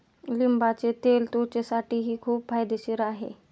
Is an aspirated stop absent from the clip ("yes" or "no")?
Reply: no